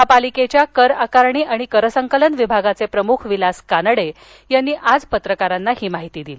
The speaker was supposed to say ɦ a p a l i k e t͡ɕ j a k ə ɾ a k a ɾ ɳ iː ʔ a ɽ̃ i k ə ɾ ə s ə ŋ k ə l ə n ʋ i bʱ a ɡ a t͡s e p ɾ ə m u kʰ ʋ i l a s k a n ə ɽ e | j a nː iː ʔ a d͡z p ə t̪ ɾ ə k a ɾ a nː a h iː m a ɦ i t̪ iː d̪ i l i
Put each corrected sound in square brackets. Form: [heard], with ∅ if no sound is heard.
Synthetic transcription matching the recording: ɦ a p a l i k e t͡ɕ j a k ə ɾ a k a ɾ ɳ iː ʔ a ɽ̃ i k ə ɾ ə s ə ŋ k ə l ə n ʋ i bʱ a ɡ a t͡s e p ɾ ə m u kʰ ʋ i l a s k a n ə ɽ e | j a nː iː ʔ a d͡z p ə t̪ ɾ ə k a ɾ a nː a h iː m a ɦ i t̪ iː d̪ i l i